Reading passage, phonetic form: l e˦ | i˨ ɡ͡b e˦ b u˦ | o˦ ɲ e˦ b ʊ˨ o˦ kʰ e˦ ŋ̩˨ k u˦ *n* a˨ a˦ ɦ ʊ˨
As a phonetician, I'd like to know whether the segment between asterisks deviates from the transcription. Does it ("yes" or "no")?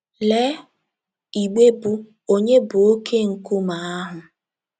yes